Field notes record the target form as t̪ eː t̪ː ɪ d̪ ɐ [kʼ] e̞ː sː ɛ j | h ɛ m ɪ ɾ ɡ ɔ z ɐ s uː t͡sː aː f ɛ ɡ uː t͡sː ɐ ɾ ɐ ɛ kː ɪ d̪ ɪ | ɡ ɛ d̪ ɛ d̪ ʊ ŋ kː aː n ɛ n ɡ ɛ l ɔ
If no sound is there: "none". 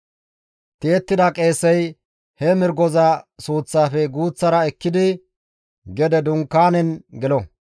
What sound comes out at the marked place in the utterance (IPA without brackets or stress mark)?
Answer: kʼ